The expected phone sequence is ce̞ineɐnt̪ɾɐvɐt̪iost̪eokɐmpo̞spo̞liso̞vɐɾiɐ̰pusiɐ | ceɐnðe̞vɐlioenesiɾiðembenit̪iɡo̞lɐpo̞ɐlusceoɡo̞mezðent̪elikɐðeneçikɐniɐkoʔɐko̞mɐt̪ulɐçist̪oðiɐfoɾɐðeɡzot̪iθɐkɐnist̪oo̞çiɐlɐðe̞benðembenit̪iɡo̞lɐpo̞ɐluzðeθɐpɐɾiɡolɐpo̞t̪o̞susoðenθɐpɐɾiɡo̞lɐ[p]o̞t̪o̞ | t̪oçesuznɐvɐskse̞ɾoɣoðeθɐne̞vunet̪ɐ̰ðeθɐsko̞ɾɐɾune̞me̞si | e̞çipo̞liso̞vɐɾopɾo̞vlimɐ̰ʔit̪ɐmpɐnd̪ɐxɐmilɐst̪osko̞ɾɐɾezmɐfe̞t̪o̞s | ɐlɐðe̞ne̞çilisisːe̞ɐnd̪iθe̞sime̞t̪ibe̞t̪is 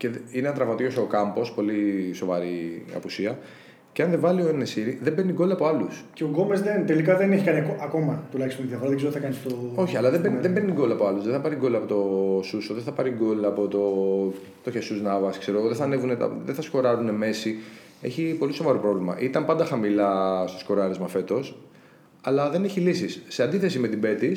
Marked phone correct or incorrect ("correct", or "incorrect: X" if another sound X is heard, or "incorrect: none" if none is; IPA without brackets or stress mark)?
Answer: correct